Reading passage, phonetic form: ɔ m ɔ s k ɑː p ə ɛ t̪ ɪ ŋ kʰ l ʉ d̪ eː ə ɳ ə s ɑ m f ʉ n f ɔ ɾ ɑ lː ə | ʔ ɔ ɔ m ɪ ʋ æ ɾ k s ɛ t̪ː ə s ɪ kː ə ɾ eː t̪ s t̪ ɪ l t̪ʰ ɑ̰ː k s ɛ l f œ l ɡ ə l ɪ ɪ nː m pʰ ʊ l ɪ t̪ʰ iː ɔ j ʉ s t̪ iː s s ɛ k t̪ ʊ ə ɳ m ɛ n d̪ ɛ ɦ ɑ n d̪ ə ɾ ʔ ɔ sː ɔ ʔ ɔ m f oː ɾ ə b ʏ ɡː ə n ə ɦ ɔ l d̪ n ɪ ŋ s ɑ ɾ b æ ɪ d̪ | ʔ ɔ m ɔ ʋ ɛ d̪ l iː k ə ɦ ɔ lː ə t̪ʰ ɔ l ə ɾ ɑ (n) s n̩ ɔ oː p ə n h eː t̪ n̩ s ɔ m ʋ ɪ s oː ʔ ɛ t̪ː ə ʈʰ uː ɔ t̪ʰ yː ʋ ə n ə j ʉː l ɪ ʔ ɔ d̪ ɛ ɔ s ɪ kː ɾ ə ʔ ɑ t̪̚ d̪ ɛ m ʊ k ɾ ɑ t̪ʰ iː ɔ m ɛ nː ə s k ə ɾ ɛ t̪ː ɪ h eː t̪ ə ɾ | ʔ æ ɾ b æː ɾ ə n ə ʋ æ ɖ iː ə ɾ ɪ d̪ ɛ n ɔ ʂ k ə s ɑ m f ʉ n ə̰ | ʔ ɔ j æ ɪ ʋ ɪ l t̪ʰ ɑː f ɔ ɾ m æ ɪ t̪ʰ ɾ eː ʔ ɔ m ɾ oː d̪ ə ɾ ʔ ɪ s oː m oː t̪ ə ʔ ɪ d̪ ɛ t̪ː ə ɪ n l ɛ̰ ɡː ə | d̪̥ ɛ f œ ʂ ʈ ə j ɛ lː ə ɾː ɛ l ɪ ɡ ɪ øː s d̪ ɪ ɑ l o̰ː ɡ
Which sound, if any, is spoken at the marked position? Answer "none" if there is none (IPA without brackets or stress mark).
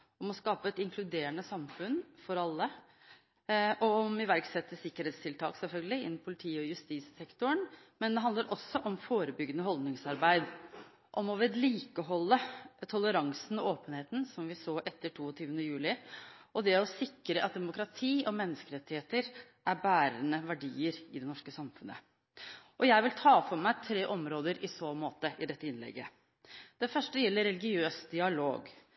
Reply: ŋ